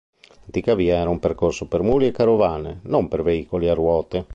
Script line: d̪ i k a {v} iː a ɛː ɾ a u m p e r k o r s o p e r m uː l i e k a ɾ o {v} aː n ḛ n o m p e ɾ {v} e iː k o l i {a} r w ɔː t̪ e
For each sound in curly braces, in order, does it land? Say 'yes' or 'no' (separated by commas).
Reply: yes, yes, yes, yes